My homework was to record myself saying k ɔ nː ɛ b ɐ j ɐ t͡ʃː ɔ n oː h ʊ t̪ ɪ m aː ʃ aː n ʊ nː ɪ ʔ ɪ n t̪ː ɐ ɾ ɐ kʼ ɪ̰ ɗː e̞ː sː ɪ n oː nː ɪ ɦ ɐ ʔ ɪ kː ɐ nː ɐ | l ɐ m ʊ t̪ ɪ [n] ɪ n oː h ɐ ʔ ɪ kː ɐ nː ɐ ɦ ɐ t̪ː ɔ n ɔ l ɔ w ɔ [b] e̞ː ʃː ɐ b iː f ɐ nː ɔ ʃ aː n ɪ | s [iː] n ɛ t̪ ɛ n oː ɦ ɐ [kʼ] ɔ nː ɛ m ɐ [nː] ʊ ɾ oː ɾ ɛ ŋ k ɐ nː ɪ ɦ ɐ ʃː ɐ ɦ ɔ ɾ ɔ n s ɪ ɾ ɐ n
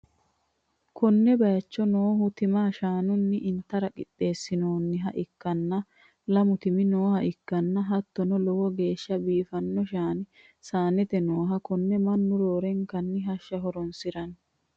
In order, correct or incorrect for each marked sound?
incorrect: m, incorrect: ɡ, incorrect: aː, incorrect: k, correct

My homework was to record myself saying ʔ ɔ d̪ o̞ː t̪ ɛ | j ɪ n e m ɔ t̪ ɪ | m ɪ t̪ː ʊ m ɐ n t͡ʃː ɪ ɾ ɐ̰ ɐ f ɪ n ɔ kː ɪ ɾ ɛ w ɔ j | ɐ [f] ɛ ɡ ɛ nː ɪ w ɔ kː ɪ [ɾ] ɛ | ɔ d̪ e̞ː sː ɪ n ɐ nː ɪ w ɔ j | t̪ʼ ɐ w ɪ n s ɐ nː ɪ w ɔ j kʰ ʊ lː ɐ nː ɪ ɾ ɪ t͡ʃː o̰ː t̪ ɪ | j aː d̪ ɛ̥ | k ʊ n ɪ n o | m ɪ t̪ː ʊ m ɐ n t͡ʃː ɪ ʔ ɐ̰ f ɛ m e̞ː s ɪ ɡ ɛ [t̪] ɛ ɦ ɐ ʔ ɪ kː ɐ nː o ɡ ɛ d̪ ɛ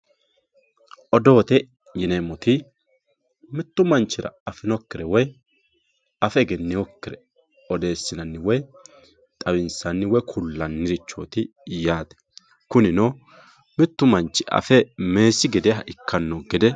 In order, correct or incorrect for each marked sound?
correct, correct, incorrect: d̪

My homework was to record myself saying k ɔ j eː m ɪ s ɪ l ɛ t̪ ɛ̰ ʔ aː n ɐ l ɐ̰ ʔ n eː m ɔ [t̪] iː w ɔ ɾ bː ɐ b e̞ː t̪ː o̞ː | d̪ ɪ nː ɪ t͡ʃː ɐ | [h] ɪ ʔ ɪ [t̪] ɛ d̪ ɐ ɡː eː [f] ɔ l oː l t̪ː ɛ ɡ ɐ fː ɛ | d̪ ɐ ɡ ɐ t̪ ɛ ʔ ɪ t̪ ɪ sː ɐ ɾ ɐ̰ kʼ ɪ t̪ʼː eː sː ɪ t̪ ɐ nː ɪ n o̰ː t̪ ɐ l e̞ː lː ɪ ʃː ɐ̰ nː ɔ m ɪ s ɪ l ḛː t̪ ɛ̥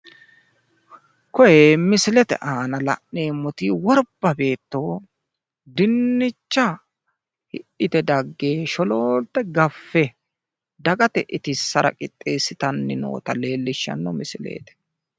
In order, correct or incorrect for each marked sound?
correct, correct, correct, incorrect: ʃ

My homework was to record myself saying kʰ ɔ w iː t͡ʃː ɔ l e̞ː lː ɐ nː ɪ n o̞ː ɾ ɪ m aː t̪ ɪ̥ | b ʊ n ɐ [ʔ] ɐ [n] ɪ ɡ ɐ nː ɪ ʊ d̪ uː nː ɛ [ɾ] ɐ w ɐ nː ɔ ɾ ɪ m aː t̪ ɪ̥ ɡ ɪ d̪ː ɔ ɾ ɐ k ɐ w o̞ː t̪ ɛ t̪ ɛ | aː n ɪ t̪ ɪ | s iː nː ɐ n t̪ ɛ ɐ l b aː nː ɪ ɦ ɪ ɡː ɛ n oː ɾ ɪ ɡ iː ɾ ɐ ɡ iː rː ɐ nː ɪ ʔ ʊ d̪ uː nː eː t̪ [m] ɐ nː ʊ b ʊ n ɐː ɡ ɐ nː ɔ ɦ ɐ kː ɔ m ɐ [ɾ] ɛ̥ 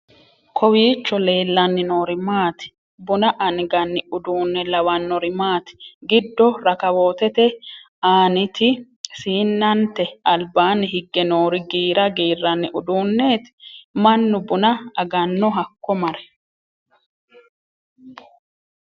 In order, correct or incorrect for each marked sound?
correct, correct, incorrect: l, correct, correct

